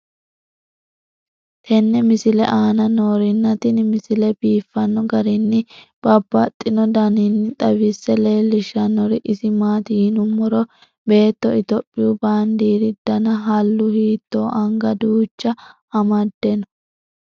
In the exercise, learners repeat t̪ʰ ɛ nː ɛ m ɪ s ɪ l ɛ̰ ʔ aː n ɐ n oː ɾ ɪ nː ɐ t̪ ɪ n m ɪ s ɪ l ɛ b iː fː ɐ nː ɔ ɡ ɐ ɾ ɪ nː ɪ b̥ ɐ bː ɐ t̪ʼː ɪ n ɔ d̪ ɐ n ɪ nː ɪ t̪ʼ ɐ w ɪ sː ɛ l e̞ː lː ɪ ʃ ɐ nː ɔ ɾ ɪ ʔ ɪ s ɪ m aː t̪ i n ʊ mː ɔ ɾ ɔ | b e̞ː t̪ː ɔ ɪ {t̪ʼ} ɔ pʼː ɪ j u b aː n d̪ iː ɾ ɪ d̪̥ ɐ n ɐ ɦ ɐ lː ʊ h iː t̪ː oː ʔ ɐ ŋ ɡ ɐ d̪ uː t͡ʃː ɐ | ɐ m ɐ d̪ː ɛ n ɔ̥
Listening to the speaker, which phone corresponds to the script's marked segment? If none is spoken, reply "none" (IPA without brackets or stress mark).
t̪